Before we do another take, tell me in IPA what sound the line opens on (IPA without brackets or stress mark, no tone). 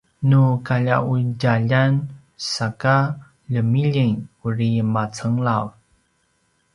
n